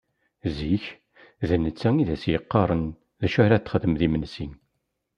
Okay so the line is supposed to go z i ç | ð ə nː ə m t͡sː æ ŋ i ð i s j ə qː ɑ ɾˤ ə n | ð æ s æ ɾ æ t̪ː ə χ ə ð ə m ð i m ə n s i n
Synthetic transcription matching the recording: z i ç | ð ə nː ə t͡sː æ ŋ i ð æ s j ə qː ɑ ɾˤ ə n | ð æ ʃ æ ɾ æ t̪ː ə χ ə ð ə m ð i m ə n s i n